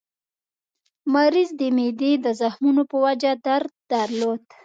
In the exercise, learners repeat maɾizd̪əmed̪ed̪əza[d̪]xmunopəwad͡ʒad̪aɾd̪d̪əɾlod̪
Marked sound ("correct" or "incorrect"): incorrect